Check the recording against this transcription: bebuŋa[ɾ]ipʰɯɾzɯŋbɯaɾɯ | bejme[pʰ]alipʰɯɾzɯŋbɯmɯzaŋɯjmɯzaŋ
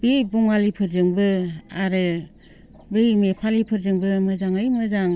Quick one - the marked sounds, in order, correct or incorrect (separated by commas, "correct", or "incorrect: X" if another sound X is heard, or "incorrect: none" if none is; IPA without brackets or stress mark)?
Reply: incorrect: l, correct